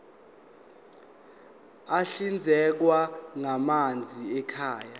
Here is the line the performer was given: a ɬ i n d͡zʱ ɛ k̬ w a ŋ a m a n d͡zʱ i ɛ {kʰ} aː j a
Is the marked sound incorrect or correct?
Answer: correct